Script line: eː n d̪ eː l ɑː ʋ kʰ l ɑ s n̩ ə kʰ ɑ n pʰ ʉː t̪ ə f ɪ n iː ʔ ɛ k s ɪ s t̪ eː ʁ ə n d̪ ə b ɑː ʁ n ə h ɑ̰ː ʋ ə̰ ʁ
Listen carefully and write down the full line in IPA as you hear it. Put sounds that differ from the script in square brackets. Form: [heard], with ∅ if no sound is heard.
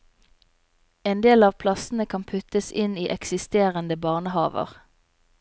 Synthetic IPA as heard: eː n d̪ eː l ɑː ʋ [pʰ] l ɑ s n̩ ə kʰ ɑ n pʰ [ʉ] t̪ ə [s] ɪ n iː ʔ ɛ k s ɪ s t̪ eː ʁ ə n d̪ ə b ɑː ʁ n ə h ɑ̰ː ʋ ə̰ ʁ